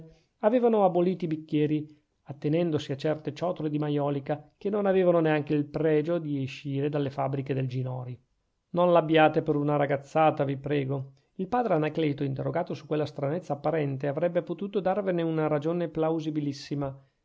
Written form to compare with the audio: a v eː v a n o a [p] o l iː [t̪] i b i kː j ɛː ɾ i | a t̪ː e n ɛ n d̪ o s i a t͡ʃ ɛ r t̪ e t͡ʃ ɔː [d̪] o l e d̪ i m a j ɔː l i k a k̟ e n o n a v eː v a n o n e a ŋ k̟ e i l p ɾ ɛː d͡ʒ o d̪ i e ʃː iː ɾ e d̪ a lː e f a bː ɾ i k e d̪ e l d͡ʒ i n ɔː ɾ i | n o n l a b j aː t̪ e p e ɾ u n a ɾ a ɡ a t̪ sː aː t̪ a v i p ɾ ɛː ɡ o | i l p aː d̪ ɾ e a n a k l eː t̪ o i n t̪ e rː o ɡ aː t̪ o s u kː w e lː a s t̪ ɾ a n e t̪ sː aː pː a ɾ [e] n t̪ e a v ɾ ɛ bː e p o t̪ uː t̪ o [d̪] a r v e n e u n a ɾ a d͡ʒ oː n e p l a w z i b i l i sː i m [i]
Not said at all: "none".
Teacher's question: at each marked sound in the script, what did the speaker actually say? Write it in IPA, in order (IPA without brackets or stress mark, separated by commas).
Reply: b, t̪, t̪, ɛ, d̪, a